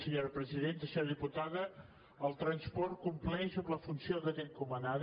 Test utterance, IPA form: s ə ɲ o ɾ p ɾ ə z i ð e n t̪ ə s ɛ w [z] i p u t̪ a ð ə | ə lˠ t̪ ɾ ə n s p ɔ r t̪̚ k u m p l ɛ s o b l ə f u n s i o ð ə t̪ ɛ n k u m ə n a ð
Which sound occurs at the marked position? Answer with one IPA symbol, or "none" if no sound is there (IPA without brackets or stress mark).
ð